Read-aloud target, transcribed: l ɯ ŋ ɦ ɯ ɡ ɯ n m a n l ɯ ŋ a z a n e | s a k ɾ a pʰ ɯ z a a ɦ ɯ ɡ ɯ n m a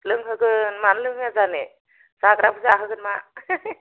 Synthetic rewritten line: l ɯ ŋ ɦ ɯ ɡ ɯ n m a n l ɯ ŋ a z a n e | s a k ɾ a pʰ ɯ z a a ɦ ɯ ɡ ɯ n m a